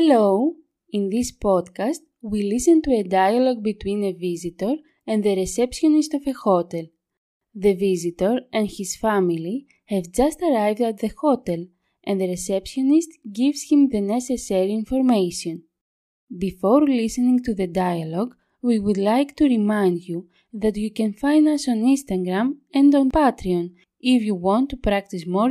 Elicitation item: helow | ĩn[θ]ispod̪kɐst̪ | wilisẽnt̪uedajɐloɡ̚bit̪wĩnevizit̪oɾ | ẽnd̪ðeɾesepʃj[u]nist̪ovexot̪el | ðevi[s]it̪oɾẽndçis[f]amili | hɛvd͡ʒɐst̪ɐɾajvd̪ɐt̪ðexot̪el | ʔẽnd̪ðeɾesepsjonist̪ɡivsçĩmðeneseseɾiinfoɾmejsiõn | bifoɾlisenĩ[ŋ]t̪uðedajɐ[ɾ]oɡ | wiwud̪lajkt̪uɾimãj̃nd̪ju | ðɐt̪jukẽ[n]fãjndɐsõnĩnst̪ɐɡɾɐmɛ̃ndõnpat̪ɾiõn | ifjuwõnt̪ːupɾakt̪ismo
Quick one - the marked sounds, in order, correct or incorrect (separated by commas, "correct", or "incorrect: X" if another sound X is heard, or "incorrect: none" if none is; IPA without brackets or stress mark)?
incorrect: ð, incorrect: o, incorrect: z, correct, correct, incorrect: l, correct